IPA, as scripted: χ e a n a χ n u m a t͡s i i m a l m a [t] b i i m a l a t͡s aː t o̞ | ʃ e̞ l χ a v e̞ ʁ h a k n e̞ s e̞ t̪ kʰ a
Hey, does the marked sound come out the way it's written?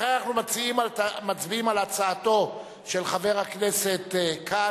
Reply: no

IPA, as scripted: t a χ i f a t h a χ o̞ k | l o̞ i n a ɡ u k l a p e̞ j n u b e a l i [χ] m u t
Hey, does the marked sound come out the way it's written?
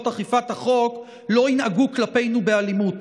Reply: no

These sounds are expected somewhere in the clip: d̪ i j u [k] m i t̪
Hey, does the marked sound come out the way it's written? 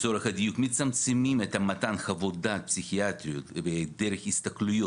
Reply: yes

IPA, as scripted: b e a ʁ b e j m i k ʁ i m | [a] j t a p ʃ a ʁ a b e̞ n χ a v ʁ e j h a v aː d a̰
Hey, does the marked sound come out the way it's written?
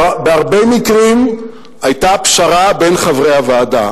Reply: yes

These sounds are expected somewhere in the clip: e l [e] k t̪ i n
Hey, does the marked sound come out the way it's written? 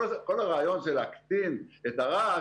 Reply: no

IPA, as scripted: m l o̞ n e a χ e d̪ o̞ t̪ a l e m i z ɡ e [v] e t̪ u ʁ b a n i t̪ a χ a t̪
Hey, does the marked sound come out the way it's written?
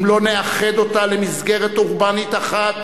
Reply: no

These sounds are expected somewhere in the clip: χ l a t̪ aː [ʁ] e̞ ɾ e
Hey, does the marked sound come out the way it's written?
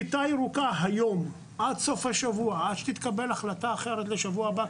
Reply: no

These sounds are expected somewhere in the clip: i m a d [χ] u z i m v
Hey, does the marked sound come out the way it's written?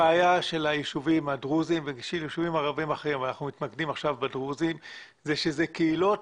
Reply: no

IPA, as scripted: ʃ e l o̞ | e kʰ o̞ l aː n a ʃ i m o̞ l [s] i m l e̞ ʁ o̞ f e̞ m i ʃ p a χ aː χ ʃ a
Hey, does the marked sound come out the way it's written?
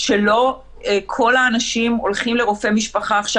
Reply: no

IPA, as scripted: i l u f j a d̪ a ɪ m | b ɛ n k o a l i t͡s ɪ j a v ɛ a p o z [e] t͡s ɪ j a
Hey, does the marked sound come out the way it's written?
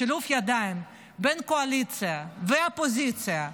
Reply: no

